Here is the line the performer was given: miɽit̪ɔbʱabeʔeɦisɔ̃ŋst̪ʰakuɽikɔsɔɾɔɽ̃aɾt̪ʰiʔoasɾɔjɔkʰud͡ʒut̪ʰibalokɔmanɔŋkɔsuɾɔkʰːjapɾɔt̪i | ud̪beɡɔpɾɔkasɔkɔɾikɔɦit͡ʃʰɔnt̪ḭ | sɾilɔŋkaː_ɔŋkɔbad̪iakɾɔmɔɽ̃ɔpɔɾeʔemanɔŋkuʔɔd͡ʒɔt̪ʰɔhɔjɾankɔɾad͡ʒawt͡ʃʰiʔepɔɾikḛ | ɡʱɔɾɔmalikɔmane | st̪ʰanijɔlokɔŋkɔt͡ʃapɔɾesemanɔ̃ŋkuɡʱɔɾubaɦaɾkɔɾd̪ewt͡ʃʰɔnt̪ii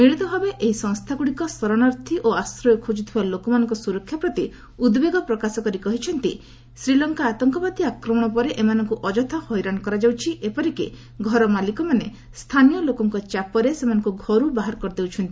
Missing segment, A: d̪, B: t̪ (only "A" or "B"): B